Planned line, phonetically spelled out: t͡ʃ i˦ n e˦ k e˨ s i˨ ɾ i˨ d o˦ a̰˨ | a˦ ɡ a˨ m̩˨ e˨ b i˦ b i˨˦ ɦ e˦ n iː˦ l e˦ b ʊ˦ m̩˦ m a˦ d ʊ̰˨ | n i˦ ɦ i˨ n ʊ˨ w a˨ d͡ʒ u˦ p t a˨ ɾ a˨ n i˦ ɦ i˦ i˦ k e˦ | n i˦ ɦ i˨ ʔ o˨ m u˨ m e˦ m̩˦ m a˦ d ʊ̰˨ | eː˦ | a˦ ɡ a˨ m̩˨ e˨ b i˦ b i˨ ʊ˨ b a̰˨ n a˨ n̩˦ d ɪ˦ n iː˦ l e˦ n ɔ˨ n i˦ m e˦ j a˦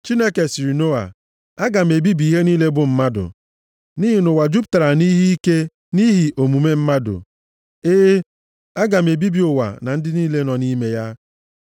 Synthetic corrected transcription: t͡ʃ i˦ n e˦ k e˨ s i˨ ɾ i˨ n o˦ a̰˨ | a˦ ɡ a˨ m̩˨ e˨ b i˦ b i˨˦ ɦ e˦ n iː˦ l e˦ b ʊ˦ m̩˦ m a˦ d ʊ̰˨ | n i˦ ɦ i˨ n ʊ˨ w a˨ d͡ʒ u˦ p t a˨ ɾ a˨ n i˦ ɦ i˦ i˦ k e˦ | n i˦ ɦ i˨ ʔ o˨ m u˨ m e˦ m̩˦ m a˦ d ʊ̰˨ | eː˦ | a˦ ɡ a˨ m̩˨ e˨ b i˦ b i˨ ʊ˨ w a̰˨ n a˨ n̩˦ d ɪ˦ n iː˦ l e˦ n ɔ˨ n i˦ m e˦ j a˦